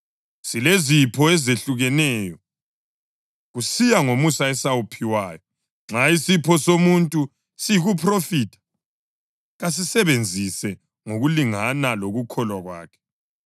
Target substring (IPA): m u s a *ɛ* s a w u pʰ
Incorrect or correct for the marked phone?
correct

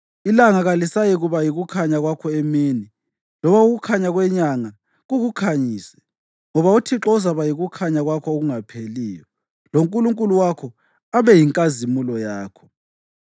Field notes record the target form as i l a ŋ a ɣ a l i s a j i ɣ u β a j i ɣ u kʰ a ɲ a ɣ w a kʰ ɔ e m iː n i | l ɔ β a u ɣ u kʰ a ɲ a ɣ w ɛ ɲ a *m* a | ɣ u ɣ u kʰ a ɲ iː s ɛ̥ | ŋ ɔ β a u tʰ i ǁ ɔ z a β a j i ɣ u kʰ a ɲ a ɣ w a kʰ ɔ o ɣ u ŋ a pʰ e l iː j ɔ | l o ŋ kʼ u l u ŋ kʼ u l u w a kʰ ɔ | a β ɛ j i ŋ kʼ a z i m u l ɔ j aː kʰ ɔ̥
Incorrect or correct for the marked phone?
incorrect: ŋ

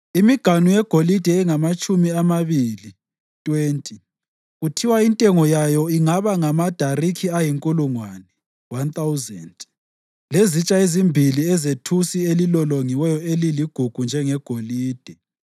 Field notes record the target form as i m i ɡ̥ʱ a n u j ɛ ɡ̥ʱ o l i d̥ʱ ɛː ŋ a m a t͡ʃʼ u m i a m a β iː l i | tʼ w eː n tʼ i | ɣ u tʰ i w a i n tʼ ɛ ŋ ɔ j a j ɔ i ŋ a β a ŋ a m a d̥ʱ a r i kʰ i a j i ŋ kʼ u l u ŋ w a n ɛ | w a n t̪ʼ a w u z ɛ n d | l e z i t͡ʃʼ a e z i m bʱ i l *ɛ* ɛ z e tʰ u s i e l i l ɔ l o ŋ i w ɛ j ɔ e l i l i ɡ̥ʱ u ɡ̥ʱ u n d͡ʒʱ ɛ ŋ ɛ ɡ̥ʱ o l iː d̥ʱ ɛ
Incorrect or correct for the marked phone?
incorrect: i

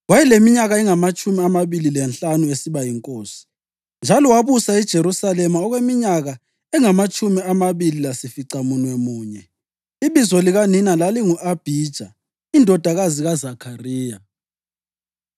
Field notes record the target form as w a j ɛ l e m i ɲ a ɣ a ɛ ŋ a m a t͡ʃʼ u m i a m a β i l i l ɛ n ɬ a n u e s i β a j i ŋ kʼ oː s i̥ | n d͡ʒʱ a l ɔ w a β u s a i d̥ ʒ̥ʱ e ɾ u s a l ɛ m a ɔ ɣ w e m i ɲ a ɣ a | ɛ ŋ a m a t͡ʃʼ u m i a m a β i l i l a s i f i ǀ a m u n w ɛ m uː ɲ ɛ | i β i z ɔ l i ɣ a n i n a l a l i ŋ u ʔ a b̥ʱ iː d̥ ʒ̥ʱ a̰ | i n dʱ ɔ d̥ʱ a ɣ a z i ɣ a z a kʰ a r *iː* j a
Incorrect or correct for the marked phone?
correct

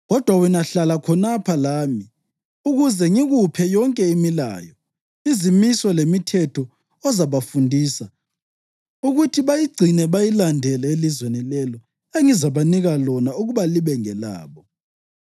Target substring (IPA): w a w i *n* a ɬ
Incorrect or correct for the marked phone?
correct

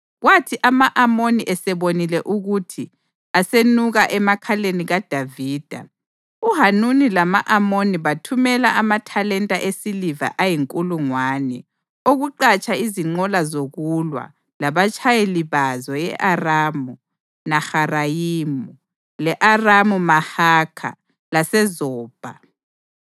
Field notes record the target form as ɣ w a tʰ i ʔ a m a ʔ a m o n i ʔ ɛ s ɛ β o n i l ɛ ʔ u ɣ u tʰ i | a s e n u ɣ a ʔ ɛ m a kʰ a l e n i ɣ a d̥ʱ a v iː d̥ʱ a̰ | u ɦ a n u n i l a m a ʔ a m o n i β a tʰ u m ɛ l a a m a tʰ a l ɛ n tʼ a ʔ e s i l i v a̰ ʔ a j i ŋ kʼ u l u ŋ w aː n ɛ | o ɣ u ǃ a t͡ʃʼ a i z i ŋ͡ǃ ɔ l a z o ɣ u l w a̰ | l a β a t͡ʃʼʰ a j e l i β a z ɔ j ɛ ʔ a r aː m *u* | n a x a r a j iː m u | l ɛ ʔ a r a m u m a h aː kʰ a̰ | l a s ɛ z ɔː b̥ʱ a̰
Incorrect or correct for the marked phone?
correct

